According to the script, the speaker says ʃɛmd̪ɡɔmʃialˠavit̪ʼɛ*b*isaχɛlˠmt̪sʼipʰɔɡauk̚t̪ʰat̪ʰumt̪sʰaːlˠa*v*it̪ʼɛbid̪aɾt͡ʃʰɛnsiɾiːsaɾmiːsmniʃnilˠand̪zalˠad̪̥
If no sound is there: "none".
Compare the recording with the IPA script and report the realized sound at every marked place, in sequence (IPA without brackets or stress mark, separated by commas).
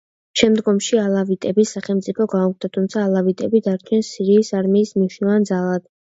b, v